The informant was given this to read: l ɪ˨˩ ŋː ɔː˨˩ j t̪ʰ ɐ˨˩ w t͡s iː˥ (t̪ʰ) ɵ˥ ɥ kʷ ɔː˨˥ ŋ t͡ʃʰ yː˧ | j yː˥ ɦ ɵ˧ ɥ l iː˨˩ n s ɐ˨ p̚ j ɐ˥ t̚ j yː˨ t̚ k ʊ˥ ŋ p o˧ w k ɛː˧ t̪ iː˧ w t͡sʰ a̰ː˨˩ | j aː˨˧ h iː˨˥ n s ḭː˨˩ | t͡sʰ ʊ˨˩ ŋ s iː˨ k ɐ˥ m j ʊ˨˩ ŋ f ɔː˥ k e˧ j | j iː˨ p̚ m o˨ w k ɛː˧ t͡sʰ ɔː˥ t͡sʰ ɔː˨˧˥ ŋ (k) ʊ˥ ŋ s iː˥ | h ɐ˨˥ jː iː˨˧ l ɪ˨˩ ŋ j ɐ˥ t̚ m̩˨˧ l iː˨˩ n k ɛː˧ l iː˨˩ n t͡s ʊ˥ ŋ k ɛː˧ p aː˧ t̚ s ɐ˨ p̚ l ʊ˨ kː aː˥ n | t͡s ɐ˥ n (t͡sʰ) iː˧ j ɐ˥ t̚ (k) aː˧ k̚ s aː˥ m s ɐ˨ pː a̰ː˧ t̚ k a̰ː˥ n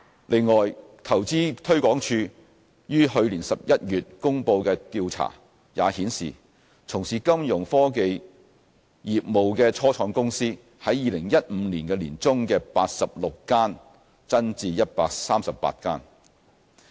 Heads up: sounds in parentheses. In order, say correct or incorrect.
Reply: correct, correct, incorrect: t͡s, incorrect: p

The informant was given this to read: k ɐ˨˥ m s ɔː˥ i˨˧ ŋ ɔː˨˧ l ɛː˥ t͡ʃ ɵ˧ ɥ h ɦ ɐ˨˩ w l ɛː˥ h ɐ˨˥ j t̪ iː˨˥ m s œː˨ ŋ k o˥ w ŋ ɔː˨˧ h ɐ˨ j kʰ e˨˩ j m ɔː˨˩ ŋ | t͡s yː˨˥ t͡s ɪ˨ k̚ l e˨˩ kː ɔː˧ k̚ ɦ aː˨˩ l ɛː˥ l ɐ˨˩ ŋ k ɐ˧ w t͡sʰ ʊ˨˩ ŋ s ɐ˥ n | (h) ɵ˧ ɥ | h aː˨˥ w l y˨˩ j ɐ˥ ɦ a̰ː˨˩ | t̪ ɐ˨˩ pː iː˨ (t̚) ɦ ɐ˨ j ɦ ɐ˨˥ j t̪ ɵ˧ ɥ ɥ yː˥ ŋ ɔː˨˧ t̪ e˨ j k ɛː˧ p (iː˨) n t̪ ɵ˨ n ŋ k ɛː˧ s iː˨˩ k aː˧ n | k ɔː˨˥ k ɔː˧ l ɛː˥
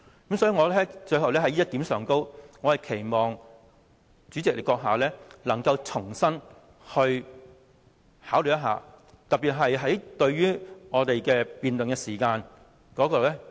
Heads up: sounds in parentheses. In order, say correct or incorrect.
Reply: correct, correct, correct

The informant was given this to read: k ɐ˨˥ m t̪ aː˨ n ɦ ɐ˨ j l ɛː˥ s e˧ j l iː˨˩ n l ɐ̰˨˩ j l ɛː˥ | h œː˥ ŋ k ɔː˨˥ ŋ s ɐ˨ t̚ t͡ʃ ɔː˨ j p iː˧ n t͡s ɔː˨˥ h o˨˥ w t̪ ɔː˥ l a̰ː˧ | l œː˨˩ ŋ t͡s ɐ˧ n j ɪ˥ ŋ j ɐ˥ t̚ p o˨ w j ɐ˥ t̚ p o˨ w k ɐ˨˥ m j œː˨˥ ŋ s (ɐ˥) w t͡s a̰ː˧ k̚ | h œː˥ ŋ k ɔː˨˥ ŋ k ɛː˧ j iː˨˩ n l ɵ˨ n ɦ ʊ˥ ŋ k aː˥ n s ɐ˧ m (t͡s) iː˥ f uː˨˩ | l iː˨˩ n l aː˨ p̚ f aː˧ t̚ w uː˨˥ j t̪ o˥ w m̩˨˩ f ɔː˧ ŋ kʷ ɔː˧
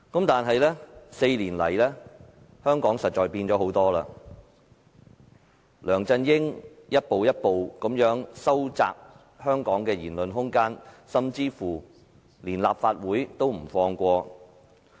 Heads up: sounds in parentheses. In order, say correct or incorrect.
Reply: correct, correct

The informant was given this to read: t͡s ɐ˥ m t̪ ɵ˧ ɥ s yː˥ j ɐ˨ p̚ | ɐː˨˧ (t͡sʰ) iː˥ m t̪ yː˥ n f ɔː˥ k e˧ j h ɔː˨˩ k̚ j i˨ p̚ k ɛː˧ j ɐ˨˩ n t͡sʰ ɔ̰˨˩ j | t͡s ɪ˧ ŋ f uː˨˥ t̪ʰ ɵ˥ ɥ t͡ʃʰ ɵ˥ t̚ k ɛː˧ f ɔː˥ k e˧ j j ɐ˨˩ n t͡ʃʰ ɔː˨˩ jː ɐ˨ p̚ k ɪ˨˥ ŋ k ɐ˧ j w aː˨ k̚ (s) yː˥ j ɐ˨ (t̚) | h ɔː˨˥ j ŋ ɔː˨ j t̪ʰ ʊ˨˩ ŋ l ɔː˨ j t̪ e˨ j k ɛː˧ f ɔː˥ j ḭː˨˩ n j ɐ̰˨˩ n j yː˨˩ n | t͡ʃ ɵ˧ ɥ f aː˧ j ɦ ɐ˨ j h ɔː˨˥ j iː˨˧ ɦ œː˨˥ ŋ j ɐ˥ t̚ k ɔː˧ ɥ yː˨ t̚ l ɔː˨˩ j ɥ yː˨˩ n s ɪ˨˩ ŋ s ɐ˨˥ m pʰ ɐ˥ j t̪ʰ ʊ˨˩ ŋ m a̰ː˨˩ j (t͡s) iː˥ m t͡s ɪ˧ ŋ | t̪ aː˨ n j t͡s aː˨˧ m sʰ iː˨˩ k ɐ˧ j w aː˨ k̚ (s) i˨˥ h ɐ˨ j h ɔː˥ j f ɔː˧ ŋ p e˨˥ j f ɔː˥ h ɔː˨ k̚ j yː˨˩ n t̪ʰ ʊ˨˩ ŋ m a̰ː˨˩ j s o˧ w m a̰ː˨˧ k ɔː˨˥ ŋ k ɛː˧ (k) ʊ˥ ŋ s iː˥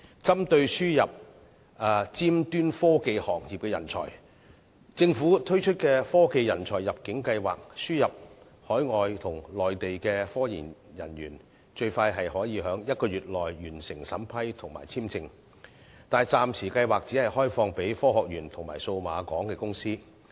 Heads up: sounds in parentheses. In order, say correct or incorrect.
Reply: incorrect: t͡s, correct, incorrect: p̚, incorrect: t͡sʰ, incorrect: t͡s, correct

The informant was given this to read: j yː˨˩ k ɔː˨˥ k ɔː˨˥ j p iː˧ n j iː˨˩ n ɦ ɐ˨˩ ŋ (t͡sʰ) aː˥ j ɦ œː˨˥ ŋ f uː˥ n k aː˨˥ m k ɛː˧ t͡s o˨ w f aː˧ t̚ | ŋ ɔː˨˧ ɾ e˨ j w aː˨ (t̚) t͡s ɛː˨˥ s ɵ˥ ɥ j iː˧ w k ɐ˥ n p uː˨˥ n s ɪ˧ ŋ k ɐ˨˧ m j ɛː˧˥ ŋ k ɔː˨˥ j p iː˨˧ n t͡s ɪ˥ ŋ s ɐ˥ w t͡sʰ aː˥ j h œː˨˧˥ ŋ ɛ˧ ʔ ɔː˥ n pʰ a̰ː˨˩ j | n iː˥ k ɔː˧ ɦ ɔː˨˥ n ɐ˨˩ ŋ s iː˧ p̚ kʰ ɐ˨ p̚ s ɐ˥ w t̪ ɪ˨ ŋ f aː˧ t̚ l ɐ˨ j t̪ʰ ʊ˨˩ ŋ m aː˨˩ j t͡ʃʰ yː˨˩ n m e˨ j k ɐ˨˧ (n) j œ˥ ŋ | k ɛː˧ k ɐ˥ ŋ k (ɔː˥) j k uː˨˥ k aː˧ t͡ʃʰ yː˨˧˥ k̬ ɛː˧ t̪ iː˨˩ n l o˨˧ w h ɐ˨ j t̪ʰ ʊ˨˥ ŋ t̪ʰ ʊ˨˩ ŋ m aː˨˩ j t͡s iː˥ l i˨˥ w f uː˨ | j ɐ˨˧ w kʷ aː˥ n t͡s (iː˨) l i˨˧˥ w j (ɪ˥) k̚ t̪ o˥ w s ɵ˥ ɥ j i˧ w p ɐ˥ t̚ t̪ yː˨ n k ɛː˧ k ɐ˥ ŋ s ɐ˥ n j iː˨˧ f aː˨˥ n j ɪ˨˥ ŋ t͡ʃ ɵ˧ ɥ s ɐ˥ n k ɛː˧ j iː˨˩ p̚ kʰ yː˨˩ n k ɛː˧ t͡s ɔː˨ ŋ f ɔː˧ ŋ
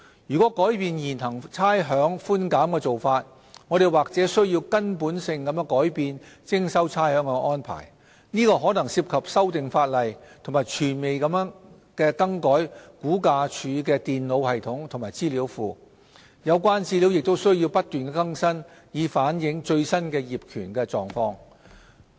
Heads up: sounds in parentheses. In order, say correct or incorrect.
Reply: correct, incorrect: k̚, incorrect: m, incorrect: ɔː˨˥, incorrect: iː˥, incorrect: ɪ˨

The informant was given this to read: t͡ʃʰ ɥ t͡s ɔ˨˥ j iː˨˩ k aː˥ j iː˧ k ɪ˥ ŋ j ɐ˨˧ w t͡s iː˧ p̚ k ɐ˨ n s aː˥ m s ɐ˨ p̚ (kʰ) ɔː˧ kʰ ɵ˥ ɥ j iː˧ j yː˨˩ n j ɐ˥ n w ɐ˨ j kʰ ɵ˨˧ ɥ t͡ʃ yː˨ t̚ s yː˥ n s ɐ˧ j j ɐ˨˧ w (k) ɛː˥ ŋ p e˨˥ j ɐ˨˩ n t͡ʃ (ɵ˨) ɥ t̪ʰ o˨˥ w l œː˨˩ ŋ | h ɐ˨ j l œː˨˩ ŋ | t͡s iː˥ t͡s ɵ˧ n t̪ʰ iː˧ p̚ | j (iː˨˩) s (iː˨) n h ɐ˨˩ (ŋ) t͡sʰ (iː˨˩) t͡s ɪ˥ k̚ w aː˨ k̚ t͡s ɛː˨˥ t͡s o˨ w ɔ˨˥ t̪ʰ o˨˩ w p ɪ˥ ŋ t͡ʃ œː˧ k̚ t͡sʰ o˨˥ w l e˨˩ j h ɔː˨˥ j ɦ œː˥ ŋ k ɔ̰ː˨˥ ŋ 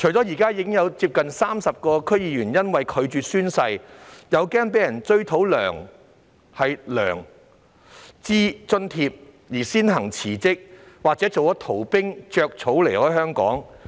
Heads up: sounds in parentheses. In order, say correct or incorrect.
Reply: incorrect: k, correct, incorrect: ɵ˥, correct, incorrect: iː˥, correct, correct

